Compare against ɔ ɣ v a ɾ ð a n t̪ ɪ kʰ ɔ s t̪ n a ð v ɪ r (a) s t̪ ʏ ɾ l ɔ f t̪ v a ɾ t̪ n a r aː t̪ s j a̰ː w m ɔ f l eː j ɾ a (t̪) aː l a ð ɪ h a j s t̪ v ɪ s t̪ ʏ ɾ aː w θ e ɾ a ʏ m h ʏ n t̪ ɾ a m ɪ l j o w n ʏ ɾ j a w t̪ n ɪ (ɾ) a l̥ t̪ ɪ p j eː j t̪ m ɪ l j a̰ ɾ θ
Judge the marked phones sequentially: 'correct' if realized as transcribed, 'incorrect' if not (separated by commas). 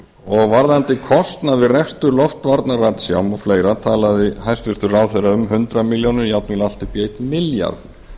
incorrect, incorrect, incorrect